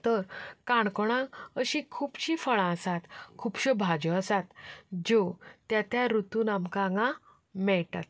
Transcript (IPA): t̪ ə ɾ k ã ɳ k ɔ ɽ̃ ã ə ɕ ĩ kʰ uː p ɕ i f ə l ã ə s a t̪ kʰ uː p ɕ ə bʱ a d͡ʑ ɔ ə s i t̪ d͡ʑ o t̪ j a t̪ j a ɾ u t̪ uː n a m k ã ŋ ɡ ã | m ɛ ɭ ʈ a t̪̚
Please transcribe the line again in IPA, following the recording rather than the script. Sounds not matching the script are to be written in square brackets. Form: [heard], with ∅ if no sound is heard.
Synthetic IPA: t̪ ə ɾ k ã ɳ k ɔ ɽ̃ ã ə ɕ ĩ kʰ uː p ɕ i f ə [ɭ] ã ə s a t̪ kʰ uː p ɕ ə bʱ a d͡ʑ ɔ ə s [a] t̪ d͡ʑ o t̪ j a t̪ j a ɾ u t̪ uː n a m k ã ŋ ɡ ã | m ɛ ɭ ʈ a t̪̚